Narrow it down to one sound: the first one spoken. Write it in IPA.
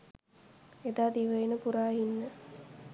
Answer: e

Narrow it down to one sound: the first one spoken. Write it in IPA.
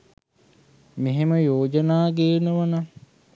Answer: m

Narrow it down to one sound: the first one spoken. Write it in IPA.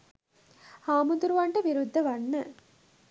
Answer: h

